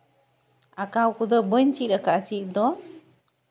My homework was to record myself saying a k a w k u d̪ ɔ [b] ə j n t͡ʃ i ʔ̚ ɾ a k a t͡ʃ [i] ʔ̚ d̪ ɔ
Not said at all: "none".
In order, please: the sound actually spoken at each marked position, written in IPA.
b, i

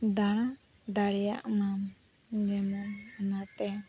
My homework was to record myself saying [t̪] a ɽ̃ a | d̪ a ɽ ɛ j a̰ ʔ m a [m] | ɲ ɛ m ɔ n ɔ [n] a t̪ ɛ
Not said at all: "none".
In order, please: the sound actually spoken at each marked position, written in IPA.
d̪, m, n

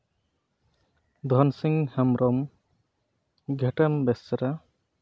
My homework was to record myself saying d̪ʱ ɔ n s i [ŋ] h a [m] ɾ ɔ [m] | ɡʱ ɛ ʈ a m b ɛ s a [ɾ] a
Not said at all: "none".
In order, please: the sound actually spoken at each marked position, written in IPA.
ŋ, m, m, ɾ

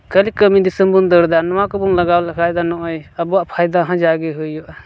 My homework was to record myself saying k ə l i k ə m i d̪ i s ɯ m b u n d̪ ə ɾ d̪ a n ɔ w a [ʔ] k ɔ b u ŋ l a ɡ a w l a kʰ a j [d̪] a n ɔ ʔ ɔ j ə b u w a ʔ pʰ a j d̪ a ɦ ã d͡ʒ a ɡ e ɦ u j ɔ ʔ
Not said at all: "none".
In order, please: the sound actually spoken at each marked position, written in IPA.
none, d̪

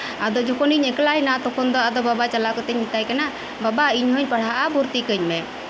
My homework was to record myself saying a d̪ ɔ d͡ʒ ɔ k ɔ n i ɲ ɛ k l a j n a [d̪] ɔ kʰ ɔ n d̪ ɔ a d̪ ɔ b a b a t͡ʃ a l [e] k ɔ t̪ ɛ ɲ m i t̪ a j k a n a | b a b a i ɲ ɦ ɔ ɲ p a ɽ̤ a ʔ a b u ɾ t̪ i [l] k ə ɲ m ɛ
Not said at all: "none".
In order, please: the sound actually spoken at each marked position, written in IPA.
t̪, a, none

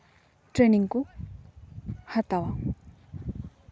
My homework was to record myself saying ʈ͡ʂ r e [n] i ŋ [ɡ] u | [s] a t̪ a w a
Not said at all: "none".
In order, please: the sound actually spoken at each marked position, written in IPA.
n, k, h

